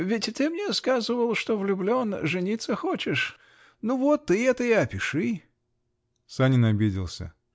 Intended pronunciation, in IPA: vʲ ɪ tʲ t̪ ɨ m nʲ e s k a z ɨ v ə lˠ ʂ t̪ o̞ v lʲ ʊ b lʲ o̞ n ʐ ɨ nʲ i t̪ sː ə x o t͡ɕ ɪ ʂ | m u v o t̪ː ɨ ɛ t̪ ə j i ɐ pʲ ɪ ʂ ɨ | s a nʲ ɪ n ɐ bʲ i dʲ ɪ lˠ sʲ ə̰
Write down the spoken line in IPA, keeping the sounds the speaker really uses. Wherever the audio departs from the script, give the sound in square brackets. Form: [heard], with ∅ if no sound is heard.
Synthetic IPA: vʲ ɪ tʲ t̪ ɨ m nʲ e s k a z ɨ v ə lˠ ʂ t̪ o̞ v lʲ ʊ b lʲ o̞ n ʐ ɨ nʲ i t̪ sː ə x o t͡ɕ ɪ ʂ | [n] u v o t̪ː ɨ ɛ t̪ ə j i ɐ pʲ ɪ ʂ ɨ | s a nʲ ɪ n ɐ bʲ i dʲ ɪ lˠ sʲ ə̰